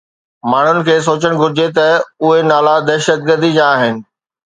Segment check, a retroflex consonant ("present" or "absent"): present